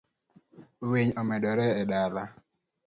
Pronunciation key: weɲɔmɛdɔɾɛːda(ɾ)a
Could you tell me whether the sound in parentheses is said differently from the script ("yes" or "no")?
yes